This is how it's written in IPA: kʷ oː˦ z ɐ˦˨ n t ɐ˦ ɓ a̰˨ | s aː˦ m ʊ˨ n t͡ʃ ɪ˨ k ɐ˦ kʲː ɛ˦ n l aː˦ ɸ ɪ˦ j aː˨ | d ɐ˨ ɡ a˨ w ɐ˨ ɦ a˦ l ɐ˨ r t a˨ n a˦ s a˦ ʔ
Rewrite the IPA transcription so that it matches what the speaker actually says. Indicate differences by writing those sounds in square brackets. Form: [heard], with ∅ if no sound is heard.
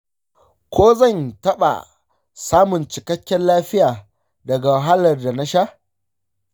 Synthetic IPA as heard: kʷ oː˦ z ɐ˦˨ n t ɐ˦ ɓ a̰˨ | s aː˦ m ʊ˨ n t͡ʃ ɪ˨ k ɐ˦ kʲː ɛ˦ n l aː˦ ɸ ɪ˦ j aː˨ | d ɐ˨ ɡ a˨ w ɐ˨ ɦ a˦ l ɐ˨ r [d] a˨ n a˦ [ʃ] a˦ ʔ